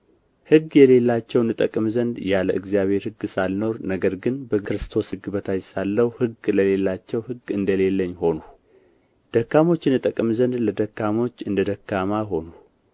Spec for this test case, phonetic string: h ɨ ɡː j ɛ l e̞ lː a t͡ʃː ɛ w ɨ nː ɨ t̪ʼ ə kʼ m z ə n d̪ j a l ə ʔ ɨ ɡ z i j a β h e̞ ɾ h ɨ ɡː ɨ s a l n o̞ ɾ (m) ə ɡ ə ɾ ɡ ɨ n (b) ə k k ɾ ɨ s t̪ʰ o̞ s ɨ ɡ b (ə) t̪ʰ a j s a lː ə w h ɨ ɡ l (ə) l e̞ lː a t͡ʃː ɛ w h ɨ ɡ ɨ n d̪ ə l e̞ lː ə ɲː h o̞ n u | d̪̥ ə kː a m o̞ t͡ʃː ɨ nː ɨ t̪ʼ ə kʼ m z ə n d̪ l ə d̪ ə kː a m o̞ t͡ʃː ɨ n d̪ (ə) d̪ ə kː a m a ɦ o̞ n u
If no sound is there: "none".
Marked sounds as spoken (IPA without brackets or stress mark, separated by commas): n, b, ə, ə, ə